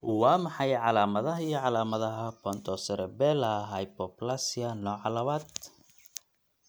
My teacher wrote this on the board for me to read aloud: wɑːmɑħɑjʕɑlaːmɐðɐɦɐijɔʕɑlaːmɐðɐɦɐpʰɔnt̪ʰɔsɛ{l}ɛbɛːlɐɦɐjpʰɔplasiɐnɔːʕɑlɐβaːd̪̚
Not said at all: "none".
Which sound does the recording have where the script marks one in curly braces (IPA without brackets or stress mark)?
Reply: ɾ